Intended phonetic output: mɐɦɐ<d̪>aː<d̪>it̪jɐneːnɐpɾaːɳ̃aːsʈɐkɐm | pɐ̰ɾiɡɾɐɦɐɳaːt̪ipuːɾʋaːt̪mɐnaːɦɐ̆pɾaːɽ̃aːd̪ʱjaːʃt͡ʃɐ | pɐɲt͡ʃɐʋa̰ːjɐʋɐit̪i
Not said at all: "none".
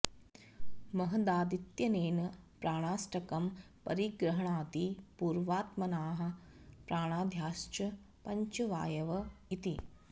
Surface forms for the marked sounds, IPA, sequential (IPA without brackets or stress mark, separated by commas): d̪, d̪